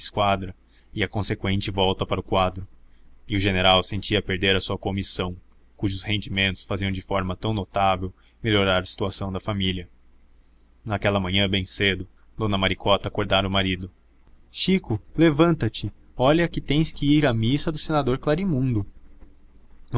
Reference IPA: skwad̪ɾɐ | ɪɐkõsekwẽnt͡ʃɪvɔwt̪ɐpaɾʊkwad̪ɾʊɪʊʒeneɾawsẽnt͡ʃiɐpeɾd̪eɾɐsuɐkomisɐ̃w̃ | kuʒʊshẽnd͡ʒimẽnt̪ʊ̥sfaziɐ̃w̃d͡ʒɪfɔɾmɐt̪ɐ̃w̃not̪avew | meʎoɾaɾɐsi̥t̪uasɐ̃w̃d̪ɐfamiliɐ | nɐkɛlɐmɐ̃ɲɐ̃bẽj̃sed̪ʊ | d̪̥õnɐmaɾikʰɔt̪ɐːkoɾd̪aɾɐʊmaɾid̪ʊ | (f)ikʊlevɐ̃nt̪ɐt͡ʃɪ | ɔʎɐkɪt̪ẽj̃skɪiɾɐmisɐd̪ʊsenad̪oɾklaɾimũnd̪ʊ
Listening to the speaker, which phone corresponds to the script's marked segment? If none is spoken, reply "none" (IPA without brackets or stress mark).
ʃ